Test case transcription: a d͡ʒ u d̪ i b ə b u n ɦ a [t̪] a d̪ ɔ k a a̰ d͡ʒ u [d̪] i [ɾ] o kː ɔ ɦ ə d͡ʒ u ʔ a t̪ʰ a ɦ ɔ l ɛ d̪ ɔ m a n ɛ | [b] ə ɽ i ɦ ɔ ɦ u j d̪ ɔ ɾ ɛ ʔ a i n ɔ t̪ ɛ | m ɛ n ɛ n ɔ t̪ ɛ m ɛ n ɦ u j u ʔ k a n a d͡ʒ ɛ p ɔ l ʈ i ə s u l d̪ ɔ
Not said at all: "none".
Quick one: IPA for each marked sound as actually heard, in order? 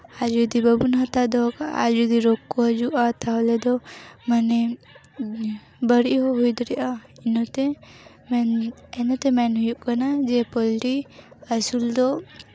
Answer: t̪, d̪, ɾ, b

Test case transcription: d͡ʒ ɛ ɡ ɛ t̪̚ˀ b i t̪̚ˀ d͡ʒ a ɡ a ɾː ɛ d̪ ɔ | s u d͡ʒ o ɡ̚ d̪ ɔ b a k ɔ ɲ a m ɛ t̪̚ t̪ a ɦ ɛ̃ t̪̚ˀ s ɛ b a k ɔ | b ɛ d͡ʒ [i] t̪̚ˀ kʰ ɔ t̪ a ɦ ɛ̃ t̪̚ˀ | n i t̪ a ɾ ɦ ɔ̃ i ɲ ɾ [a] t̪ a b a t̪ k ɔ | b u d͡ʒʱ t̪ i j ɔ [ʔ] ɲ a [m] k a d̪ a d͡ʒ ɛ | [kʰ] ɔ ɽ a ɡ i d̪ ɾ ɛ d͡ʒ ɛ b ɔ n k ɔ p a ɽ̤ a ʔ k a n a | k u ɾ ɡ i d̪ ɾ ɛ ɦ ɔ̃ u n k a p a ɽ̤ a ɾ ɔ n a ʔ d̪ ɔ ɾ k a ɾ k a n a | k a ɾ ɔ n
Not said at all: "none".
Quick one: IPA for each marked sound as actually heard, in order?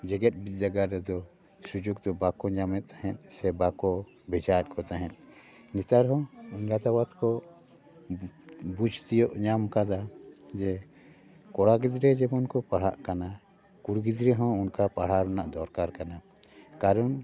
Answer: a, a, ʔ, m, k

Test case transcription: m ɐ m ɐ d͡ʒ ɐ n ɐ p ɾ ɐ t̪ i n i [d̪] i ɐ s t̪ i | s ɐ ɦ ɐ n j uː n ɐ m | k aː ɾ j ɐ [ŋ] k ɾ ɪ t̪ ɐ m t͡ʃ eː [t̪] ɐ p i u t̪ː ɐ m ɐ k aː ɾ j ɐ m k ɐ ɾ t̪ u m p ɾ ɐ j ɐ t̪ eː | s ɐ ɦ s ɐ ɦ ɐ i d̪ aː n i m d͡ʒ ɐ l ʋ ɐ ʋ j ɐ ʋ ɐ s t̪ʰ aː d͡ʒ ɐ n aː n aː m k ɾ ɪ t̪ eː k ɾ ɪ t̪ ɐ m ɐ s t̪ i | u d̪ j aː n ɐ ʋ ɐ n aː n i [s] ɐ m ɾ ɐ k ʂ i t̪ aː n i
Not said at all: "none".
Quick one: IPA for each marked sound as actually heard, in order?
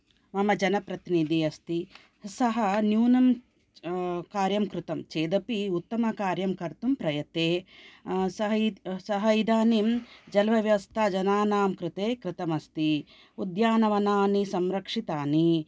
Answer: d̪, m, d̪, s

